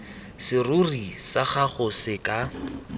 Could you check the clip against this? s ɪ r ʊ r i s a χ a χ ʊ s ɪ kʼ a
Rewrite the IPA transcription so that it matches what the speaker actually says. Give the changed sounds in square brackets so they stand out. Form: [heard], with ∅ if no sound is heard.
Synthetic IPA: s ɪ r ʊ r i s a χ a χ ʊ s ɪ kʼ a